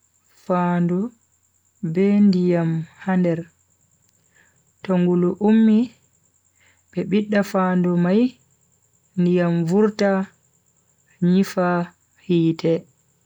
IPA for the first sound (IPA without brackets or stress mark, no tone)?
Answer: f